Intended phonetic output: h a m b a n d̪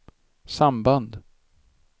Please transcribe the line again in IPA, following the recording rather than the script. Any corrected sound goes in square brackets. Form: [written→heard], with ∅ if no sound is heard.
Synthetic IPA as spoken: [h→s] a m b a n d̪